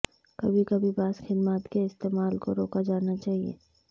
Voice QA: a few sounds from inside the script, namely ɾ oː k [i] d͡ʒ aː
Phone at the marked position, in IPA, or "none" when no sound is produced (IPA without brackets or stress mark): a